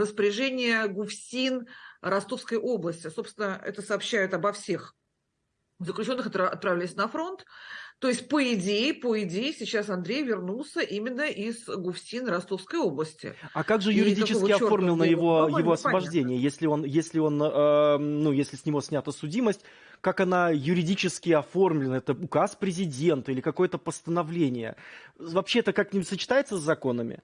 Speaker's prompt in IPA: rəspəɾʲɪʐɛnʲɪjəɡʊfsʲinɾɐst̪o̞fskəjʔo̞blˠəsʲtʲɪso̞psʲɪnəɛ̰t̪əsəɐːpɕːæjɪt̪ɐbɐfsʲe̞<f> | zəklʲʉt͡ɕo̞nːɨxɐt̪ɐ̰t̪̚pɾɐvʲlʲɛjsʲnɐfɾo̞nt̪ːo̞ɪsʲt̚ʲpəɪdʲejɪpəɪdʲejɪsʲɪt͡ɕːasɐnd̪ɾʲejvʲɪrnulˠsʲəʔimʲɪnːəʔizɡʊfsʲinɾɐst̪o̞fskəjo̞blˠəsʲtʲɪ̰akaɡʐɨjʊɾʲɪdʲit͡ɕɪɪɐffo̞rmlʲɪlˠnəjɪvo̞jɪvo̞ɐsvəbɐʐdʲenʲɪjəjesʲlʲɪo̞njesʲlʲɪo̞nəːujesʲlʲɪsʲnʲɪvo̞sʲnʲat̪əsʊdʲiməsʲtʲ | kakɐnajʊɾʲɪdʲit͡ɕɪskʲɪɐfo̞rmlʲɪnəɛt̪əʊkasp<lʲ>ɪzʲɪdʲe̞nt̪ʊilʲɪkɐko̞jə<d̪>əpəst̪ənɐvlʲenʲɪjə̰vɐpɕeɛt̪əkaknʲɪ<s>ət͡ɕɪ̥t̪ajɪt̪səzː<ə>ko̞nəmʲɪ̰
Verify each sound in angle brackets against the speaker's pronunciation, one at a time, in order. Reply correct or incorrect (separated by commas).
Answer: incorrect, incorrect, incorrect, correct, incorrect